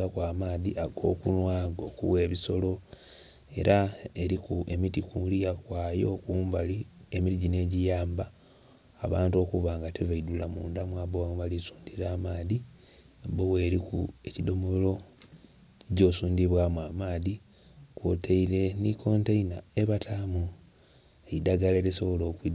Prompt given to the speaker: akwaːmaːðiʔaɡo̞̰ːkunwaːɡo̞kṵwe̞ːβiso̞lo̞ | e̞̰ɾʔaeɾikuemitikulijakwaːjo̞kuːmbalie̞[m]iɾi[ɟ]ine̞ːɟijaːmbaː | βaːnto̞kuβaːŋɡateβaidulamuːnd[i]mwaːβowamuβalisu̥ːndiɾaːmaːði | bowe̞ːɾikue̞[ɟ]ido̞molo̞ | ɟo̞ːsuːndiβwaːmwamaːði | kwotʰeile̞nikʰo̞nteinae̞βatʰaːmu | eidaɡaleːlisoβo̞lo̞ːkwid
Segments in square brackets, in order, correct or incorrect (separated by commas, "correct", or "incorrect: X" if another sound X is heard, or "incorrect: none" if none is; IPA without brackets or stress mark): correct, correct, incorrect: a, incorrect: c